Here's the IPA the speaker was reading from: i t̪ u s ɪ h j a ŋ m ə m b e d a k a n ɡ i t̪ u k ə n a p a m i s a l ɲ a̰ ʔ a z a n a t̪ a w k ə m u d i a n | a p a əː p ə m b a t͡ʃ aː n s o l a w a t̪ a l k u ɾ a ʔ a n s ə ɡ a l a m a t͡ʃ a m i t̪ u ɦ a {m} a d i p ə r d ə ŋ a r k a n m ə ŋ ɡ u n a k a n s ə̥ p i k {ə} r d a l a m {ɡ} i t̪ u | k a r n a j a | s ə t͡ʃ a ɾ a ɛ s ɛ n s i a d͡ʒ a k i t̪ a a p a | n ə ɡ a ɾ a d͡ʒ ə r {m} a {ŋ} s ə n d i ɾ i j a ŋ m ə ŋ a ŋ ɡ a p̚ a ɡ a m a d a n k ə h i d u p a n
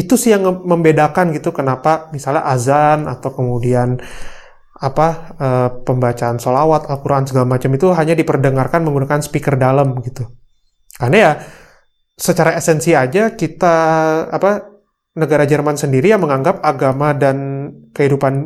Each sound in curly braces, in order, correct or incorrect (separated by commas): incorrect, correct, correct, correct, incorrect